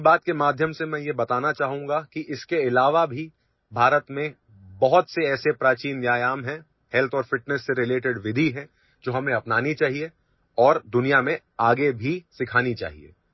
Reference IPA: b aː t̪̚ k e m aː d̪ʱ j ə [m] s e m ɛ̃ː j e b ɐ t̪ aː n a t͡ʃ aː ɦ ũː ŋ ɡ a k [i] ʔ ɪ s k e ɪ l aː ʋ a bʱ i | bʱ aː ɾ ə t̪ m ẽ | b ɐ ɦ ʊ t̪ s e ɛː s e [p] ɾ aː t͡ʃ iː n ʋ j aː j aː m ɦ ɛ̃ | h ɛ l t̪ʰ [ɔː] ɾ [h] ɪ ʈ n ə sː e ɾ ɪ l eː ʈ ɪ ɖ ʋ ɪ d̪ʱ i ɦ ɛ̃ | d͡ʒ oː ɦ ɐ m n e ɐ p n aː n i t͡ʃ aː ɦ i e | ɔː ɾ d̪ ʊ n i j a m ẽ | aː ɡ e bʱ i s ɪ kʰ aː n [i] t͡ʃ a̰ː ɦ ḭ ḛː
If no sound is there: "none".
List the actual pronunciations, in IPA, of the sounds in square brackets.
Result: m, i, p, ɔː, f, i

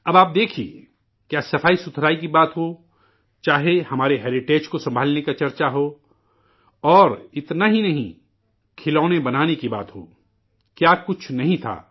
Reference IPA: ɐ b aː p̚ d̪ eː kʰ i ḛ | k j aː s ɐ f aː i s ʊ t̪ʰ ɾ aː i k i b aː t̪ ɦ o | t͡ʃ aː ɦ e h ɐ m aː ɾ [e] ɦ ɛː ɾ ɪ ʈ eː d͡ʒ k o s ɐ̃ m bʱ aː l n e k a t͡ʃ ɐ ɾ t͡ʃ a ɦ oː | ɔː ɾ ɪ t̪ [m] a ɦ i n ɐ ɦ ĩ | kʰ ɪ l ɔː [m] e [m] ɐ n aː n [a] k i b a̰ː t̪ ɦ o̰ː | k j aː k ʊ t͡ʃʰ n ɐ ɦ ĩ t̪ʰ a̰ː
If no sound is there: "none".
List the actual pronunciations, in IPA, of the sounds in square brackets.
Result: e, n, n, b, e

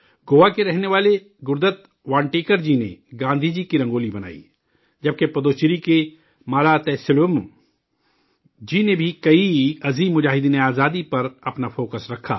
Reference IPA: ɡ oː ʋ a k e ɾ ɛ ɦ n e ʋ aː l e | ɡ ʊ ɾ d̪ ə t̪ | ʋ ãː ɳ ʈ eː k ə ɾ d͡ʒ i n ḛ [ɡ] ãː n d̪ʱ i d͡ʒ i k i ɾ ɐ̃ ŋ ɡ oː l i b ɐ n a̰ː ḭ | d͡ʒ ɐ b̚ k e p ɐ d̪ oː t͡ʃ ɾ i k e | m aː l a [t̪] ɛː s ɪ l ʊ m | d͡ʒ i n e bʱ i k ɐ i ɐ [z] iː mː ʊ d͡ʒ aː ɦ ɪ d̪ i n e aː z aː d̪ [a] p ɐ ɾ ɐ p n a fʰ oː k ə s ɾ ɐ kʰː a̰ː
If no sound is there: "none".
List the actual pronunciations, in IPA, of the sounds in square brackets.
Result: ɡ, t̪, z, i

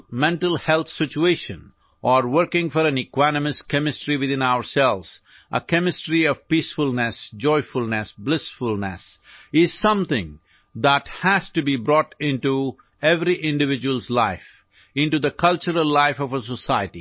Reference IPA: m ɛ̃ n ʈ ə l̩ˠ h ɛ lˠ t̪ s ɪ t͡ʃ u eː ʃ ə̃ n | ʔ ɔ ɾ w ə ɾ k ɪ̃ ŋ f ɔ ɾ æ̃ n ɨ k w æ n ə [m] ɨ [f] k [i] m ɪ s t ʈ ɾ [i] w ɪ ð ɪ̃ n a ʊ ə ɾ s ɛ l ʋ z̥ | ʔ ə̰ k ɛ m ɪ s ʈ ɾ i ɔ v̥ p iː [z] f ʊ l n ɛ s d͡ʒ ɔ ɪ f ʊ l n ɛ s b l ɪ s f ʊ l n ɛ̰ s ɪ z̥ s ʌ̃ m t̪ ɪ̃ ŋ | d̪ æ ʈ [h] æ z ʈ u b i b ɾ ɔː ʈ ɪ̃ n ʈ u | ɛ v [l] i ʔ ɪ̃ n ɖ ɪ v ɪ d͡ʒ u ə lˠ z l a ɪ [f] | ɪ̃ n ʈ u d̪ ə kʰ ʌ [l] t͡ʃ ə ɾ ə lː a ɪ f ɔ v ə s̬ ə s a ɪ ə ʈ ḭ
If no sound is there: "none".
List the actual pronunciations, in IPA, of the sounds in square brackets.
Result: m, s, ɛ, i, s, h, ɾ, f, l

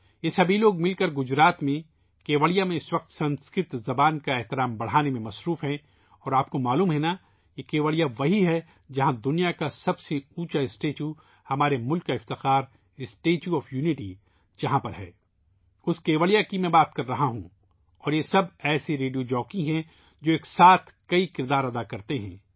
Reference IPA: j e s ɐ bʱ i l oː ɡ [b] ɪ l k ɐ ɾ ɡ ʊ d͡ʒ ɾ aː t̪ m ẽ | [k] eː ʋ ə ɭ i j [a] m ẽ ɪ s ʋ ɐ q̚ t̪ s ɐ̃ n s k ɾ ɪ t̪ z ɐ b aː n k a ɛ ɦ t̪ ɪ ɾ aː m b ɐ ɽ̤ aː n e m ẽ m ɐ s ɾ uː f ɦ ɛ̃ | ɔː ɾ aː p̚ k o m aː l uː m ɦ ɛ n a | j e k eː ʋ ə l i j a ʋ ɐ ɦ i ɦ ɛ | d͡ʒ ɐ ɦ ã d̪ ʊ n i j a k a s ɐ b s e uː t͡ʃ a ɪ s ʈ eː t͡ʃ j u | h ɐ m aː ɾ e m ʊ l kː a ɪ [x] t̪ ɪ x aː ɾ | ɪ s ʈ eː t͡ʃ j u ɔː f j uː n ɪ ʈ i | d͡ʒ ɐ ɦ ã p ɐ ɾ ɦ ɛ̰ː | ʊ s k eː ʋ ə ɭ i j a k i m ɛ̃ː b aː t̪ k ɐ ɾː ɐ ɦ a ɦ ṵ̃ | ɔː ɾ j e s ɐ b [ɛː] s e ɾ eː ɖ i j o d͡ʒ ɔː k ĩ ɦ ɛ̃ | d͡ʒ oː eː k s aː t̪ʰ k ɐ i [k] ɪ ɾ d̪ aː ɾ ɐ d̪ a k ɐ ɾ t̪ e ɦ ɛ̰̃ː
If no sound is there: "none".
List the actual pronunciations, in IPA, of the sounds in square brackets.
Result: m, k, a, f, ɛː, k

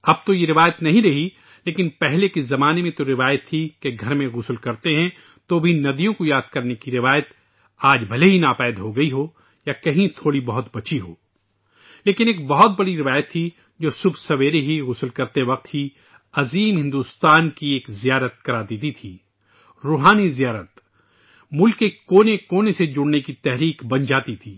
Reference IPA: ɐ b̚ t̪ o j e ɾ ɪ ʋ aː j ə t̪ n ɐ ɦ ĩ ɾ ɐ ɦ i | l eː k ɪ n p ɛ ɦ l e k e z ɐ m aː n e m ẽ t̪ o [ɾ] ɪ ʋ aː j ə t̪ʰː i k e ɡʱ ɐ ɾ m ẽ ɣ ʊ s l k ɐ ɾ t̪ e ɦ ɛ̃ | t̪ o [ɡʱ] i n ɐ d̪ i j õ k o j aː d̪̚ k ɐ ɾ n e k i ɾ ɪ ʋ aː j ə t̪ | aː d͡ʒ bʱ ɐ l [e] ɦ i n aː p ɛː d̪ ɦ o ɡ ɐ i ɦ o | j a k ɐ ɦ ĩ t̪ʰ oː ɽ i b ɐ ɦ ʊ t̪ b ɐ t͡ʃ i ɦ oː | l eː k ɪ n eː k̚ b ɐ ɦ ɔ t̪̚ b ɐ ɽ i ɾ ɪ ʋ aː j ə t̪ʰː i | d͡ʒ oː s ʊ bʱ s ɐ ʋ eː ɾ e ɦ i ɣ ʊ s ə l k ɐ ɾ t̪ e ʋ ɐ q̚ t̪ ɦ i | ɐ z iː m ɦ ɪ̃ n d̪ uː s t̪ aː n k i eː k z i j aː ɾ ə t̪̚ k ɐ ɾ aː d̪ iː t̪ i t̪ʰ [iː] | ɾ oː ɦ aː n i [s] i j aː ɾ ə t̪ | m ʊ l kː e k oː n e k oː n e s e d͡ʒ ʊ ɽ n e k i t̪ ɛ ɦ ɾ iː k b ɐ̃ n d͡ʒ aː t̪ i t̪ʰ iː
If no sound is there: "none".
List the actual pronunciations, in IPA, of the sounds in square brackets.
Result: ɾ, bʱ, e, iː, z

